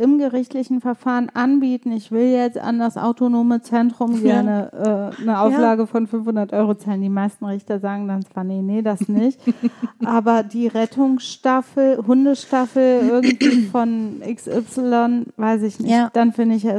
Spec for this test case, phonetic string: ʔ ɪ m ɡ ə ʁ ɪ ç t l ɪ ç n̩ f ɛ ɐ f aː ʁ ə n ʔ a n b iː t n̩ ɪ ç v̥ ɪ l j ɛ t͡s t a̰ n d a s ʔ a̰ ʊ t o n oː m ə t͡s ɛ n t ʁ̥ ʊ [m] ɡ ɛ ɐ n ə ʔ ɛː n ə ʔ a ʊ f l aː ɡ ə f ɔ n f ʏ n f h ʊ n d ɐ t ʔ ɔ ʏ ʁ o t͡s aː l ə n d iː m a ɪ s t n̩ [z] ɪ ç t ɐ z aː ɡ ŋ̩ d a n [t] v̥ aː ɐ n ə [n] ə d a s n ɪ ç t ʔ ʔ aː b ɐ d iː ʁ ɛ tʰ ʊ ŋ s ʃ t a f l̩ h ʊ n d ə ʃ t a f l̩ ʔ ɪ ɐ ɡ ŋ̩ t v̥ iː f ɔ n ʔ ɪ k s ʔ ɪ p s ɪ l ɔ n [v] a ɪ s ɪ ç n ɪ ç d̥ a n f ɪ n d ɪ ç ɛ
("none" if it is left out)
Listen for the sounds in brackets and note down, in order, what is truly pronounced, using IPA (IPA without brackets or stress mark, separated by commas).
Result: m, ʁ, t͡s, n, v